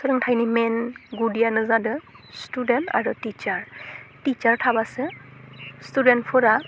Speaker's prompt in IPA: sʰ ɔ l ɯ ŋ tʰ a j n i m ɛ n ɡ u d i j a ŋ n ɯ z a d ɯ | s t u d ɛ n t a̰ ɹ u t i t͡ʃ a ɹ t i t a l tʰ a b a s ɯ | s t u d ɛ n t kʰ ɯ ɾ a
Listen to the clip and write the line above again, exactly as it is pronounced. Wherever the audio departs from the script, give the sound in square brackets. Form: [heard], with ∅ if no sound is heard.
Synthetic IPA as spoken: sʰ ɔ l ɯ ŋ tʰ a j n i m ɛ n ɡ u d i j a [∅] n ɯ z a d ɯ | s t u d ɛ n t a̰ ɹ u t i t͡ʃ a ɹ t i [t͡ʃ] a [ɹ] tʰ a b a s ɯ | s t u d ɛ n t [pʰ] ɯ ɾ a